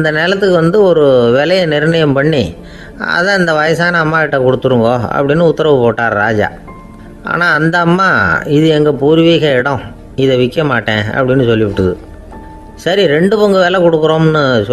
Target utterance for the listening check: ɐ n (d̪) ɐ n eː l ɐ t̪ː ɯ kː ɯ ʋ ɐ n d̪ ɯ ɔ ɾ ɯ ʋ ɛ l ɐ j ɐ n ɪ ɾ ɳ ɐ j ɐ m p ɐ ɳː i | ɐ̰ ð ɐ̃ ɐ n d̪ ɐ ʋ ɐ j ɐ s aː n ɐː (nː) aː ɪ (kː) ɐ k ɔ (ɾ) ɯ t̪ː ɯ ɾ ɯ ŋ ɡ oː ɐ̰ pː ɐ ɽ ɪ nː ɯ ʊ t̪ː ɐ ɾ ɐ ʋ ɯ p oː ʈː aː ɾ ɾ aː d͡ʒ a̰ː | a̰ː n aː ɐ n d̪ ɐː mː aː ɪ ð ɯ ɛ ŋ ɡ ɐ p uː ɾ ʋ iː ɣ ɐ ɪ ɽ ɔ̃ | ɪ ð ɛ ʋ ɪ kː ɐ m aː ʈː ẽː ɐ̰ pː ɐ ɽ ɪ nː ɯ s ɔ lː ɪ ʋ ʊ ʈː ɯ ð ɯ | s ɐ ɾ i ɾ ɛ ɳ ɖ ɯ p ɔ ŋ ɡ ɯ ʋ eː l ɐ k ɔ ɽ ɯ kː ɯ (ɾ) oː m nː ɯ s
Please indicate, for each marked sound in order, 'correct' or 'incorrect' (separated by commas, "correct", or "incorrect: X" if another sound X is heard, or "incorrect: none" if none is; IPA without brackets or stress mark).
correct, incorrect: mː, incorrect: ʈː, incorrect: ɽ, correct